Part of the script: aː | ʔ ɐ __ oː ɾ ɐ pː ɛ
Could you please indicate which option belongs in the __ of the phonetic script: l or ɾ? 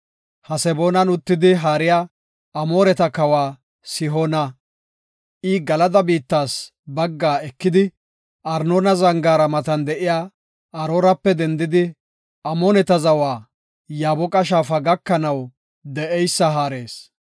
ɾ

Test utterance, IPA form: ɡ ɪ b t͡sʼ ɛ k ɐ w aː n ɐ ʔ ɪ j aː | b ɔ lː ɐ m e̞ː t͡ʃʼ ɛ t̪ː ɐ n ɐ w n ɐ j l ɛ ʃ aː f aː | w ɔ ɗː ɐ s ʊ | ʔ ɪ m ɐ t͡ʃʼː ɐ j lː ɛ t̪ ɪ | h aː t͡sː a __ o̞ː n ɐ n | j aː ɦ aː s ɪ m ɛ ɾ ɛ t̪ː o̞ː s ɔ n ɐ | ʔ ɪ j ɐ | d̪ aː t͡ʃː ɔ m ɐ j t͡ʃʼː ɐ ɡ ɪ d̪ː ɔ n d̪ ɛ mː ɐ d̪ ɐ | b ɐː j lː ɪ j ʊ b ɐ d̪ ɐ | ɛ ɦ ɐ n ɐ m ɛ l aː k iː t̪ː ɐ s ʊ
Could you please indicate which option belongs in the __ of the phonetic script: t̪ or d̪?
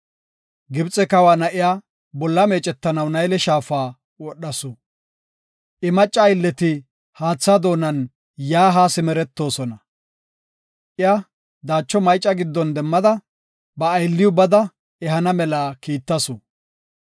d̪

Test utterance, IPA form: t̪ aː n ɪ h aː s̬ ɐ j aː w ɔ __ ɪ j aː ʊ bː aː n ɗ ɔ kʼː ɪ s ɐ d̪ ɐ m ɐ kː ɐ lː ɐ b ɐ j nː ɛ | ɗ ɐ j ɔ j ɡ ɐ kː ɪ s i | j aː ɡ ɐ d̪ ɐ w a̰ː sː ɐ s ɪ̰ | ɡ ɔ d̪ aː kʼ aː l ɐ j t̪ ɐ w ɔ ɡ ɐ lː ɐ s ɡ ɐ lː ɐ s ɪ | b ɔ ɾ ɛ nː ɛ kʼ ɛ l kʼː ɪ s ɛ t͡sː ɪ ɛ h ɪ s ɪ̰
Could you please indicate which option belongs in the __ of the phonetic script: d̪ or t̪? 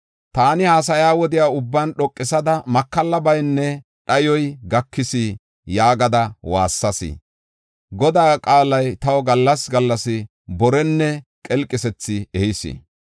d̪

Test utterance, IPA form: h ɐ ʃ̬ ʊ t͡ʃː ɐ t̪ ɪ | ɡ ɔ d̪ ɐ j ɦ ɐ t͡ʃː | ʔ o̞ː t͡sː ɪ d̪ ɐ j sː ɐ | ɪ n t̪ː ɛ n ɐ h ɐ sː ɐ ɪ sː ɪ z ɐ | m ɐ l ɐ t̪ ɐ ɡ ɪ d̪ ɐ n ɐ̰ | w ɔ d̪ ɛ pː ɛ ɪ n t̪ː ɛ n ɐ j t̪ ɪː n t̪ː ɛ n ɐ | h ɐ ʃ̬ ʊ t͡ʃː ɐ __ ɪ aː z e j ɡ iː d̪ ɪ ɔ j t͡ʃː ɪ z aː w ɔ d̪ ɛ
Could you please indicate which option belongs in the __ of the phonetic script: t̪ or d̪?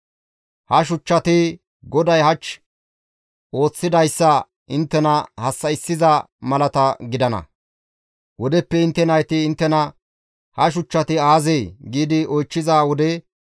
t̪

